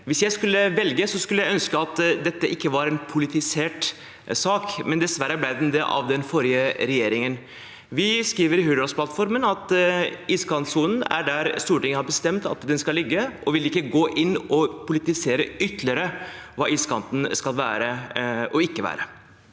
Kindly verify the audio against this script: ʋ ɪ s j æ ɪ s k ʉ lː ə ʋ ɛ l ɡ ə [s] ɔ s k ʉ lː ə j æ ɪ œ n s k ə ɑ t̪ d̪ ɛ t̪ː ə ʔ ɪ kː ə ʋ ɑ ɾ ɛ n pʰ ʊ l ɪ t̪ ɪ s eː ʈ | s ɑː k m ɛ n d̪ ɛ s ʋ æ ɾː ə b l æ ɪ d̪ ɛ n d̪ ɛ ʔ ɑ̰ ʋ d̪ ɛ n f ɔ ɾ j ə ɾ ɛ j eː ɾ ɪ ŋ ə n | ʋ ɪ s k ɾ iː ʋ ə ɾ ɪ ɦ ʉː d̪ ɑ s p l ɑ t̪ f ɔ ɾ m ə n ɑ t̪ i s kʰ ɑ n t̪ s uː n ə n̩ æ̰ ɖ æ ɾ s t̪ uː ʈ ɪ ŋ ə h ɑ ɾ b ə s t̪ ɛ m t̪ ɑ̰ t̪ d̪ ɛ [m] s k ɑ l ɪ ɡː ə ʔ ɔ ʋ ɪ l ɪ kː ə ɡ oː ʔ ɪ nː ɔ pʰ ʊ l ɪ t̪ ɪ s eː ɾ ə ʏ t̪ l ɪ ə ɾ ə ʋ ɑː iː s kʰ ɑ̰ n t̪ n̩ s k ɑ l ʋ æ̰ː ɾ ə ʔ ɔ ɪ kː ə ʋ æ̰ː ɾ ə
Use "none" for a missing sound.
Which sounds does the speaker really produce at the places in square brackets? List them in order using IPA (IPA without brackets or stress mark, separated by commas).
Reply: s, n